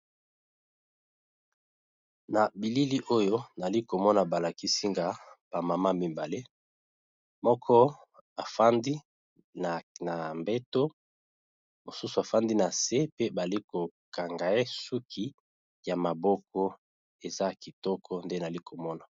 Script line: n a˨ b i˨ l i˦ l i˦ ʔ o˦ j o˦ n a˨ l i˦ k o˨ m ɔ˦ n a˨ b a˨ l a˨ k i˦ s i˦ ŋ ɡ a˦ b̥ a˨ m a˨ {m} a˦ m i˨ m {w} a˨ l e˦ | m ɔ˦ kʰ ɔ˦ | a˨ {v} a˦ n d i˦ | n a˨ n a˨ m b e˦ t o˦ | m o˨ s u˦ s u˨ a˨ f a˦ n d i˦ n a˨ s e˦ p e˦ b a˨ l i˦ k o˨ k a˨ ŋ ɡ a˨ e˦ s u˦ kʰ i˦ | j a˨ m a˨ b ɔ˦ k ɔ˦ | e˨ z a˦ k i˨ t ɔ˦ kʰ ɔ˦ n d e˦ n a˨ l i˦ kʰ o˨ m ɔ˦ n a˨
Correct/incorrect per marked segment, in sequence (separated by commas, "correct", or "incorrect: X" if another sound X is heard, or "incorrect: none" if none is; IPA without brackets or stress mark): correct, incorrect: b, incorrect: f